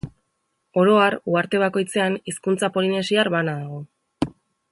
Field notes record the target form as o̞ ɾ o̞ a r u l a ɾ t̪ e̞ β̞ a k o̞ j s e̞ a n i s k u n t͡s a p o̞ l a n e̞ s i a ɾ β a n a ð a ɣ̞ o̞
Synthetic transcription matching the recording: o̞ ɾ o̞ a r u a ɾ t̪ e̞ β̞ a k o̞ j t͡s e̞ a n i s k u n t͡s a p o̞ l i n e̞ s i a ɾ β a n a ð a ɣ̞ o̞

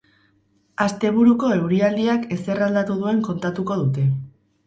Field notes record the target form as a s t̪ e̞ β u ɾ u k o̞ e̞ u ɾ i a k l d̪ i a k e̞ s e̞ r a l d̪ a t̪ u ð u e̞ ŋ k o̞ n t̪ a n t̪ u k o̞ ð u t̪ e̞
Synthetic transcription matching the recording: a s t̪ e̞ β u ɾ u k o̞ e̞ w ɾ i a l d̪ i a k e̞ s e̞ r a l d̪ a t̪ u ð u e̞ ŋ k o̞ n t̪ a t̪ u k o̞ ð u t̪ e̞

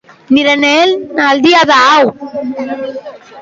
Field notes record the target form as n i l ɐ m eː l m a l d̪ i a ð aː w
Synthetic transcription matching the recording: n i ɾ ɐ n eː l n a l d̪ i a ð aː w

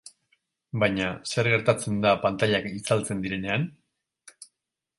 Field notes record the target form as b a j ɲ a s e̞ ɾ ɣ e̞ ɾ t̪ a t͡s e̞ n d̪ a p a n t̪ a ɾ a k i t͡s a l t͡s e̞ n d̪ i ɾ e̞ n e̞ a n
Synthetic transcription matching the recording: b a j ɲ a s e̞ ɾ ɣ e̞ ɾ t̪ a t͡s e̞ n d̪ a p a n t̪ a ʎ a k i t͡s a l t͡s e̞ n d̪ i ɾ e̞ n e̞ a n

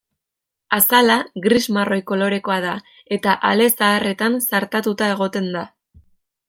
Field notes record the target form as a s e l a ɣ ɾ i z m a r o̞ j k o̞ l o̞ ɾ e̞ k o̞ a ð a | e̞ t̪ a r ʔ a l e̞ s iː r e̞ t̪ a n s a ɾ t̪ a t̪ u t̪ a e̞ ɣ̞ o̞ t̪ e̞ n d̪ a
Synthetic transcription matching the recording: a s a l a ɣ ɾ i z m a r o̞ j k o̞ l o̞ ɾ e̞ k o̞ a ð a | e̞ t̪ a ʔ a l e̞ s aː r e̞ t̪ a n s a ɾ t̪ a t̪ u t̪ a e̞ ɣ̞ o̞ t̪ e̞ n d̪ a

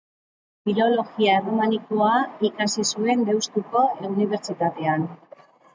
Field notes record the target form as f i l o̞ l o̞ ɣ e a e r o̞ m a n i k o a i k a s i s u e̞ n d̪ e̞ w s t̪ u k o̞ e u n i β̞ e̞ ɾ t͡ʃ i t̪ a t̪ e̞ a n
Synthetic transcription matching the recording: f i l o̞ l o̞ ɣ i a e r o̞ m a n i k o a i k a s i s u e̞ n d̪ e̞ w s t̪ u k o̞ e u n i β̞ e̞ ɾ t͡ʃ i t̪ a t̪ e̞ a n

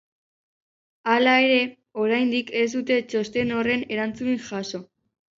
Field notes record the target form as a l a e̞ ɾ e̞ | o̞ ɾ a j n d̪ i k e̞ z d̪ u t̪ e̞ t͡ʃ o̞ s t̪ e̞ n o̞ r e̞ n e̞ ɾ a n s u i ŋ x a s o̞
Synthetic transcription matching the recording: a l a e̞ ɾ e̞ | o̞ ɾ a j n d̪ i k e̞ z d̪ u t̪ e̞ t͡ʃ o̞ s t̪ e̞ n o̞ r e̞ n e̞ ɾ a n t͡s u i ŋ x a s o̞

